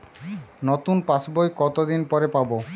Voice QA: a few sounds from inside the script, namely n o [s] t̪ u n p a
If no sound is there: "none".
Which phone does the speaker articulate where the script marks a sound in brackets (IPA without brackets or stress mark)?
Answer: none